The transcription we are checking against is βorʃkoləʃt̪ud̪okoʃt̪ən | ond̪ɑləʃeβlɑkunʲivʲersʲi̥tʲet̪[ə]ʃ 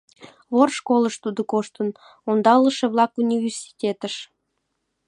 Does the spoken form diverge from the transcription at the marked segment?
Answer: no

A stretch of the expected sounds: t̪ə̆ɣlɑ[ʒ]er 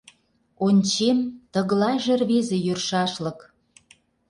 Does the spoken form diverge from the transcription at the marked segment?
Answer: no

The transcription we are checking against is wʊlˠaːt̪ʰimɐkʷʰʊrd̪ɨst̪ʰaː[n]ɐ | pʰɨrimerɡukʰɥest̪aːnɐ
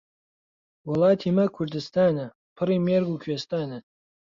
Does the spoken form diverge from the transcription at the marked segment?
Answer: no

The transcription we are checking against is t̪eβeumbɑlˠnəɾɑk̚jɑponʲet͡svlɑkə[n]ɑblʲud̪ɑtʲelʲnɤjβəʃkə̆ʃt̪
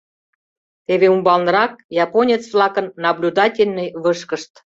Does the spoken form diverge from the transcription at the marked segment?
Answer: yes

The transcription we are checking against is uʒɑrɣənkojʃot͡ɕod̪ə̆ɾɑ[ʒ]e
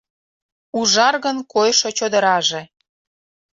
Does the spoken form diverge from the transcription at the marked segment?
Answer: no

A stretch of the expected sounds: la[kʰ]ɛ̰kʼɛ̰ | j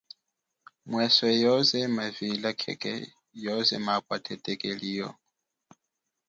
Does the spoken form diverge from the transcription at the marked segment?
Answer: no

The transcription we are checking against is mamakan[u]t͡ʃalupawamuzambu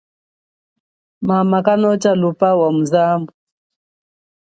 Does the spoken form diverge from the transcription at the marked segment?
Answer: yes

